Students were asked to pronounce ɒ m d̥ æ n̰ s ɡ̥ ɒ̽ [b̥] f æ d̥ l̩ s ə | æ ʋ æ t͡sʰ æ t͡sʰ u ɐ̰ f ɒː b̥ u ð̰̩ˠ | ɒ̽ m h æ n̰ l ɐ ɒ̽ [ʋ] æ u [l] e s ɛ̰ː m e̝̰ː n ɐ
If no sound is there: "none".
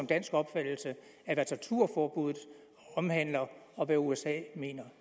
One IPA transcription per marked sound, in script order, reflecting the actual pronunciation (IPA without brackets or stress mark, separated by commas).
b̥, ʋ, none